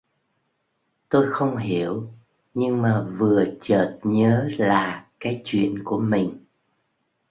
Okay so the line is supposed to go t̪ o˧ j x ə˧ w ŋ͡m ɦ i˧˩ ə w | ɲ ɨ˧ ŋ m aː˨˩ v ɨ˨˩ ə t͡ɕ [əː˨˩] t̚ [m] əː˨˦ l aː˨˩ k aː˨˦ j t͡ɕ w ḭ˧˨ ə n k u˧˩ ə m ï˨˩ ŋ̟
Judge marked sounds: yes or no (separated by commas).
yes, no